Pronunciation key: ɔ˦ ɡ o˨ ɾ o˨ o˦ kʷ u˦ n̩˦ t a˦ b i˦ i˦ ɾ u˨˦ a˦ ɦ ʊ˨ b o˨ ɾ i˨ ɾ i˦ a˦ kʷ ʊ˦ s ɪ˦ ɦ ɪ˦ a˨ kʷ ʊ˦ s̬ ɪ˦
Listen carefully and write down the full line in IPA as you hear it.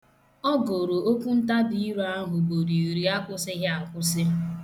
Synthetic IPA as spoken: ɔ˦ ɡ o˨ ɾ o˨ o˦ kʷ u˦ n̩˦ t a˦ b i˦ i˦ ɾ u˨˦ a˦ ɦ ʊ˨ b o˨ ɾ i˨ ɾ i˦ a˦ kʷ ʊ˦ s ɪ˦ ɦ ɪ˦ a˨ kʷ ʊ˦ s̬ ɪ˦